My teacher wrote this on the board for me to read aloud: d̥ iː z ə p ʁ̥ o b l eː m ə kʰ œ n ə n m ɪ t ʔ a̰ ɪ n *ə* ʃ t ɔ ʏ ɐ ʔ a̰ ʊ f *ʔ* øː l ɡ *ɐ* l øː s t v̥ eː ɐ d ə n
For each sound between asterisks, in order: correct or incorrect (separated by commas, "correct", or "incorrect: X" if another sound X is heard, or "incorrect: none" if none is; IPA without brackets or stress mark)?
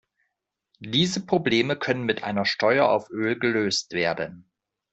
incorrect: ɐ, correct, incorrect: ə